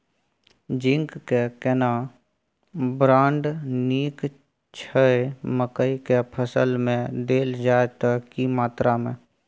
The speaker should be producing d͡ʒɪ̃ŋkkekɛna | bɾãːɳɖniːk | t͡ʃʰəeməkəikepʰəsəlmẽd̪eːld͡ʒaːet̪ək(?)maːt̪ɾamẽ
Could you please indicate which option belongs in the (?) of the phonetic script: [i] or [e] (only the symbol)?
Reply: i